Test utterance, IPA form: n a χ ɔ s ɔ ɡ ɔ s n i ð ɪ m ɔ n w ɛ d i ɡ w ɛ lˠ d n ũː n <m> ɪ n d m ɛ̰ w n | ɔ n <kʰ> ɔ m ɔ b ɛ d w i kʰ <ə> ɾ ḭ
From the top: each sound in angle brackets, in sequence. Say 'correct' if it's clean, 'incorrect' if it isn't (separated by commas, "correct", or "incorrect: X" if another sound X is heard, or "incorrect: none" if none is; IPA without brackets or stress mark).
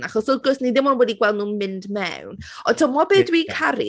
correct, incorrect: tʰ, incorrect: a